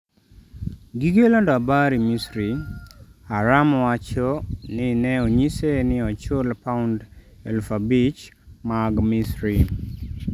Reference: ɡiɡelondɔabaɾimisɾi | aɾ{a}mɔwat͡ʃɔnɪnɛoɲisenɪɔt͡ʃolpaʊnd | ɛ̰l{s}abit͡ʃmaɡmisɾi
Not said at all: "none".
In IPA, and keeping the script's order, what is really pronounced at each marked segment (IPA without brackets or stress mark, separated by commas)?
a, f